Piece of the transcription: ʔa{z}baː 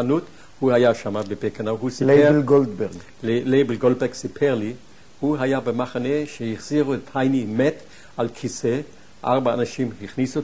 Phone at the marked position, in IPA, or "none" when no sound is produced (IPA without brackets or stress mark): ʁ